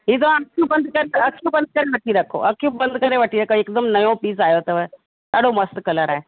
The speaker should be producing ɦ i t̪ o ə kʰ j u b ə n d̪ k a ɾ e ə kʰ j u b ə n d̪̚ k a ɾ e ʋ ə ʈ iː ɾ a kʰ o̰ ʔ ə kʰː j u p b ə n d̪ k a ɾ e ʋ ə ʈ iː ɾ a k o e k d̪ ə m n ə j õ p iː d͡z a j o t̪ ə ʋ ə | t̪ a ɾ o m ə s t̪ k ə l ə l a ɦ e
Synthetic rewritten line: ɦ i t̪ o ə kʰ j u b ə n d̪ k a ɾ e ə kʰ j u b ə n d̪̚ k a ɾ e ʋ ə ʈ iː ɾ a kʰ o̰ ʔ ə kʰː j u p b ə n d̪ k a ɾ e ʋ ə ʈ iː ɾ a k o e k d̪ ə m n ə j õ p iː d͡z a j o t̪ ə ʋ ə | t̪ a ɽ o m ə s t̪ k ə l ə ɾ a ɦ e